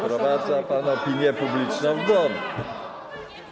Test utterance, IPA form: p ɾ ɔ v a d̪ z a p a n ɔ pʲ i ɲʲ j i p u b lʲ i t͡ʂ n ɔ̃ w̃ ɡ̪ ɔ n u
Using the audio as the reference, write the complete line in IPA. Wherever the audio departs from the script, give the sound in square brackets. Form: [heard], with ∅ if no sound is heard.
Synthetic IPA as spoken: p ɾ ɔ v a d̪ z a p a n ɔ pʲ i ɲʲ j [ɛ] p u b lʲ i t͡ʂ n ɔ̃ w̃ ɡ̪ ɔ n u